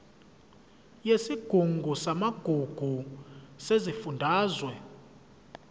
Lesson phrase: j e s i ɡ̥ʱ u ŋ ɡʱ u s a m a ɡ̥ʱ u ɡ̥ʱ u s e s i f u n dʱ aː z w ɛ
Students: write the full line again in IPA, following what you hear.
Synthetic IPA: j e s i ɡ̥ʱ u ŋ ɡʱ u s a m a ɡ̥ʱ u ɡ̥ʱ u s e z i f u n dʱ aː z w ɛ